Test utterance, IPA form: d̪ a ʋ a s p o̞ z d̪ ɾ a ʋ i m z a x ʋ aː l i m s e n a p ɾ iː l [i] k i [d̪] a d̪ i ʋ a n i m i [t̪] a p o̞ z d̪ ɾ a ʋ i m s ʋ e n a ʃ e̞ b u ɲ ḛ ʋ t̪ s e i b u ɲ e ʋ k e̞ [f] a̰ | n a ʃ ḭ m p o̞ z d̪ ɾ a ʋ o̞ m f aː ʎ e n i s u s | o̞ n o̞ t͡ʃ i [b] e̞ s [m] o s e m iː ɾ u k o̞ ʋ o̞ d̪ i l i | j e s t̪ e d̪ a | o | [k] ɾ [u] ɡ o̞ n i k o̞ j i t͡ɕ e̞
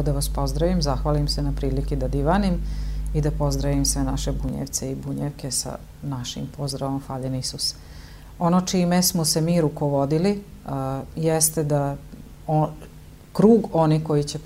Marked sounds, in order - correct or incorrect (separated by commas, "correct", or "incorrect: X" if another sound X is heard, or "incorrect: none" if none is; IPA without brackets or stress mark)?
correct, correct, incorrect: d̪, incorrect: s, incorrect: m, correct, correct, incorrect: uː